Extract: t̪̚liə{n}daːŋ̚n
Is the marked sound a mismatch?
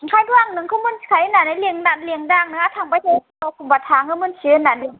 yes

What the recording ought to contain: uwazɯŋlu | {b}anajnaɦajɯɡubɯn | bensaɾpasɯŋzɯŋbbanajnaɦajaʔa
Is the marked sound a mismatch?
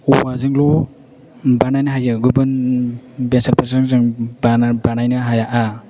no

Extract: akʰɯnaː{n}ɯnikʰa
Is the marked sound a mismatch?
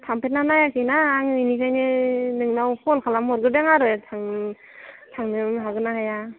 yes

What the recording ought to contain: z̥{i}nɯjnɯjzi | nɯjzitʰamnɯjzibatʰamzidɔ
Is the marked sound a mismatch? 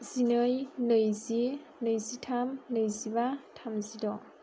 no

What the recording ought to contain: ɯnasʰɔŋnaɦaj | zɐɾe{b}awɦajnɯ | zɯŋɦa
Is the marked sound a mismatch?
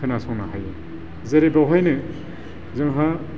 no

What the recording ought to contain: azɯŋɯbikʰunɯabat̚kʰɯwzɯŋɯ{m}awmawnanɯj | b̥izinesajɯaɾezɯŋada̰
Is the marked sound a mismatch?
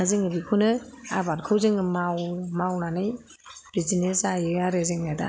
no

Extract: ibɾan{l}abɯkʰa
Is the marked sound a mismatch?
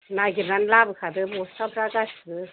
no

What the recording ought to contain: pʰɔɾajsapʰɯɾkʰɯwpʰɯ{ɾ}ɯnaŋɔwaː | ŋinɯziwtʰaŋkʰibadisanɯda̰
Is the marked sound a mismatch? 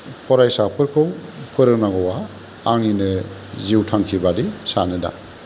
no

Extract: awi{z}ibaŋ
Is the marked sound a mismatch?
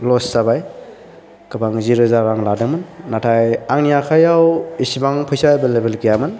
yes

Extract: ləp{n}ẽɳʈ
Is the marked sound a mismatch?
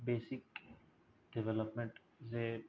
yes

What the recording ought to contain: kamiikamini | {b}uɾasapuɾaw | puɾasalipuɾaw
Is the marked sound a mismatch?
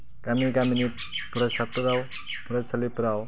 yes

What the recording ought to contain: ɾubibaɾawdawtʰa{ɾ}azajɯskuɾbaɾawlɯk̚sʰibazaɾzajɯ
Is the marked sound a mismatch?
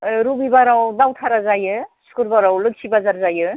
no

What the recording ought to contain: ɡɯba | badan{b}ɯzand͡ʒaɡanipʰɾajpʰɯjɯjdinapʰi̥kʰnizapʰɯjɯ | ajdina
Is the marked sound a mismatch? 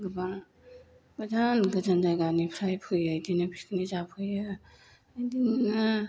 yes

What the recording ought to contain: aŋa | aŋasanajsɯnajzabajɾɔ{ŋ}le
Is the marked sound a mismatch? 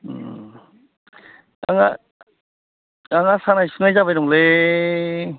no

